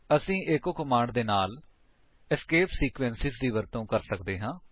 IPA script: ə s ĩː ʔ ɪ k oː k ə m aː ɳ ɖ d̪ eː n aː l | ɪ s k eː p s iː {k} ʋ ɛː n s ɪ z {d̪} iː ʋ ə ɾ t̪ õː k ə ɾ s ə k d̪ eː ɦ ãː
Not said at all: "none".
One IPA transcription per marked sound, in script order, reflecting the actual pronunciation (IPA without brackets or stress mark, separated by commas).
k, d̪